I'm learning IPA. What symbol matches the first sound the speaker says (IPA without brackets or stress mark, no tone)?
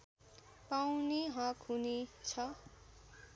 p